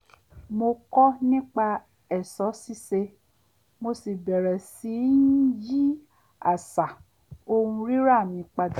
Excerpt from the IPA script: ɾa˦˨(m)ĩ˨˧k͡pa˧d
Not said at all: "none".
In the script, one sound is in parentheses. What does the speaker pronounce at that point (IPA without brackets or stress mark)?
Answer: m